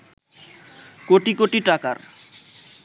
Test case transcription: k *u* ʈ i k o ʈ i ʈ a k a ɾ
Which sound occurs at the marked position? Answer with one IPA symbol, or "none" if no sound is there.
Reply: o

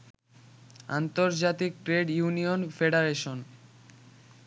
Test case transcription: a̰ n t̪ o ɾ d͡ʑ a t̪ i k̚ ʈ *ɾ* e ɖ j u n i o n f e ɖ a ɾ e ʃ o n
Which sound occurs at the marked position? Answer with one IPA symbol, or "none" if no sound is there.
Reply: ɾ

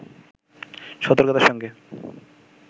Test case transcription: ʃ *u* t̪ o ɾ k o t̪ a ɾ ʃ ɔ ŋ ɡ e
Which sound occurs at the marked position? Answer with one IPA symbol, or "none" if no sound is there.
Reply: ɔ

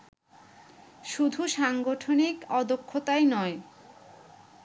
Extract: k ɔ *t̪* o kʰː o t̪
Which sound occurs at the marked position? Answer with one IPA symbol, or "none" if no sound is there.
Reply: d̪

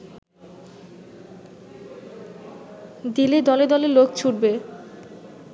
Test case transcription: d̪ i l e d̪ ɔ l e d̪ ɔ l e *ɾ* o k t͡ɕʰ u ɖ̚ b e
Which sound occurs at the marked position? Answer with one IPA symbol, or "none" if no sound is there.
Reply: l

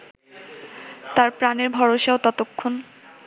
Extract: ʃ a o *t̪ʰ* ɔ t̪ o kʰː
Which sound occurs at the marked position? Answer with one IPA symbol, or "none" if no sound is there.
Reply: t̪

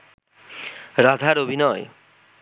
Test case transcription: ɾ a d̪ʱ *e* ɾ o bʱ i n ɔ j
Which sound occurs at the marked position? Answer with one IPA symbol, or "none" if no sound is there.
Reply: a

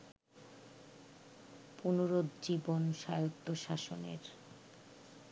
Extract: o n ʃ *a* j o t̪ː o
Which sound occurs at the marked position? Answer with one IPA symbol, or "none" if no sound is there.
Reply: a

